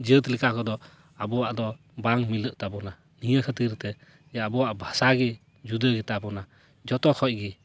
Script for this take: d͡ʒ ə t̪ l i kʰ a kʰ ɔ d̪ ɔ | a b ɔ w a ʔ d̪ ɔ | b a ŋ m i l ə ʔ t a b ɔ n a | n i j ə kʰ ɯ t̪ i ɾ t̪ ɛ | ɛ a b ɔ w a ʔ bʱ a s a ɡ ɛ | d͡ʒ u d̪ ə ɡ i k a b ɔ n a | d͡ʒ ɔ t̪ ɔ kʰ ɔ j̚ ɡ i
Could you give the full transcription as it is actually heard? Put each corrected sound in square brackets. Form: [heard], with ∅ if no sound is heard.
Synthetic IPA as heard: d͡ʒ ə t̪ l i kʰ a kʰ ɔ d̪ ɔ | a b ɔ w a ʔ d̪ ɔ | b a ŋ m i l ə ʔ t a b ɔ n a | n i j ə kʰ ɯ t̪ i ɾ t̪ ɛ | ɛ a b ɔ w a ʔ bʱ a s a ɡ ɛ | d͡ʒ u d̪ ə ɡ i [t] a b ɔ n a | d͡ʒ ɔ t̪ ɔ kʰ ɔ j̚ ɡ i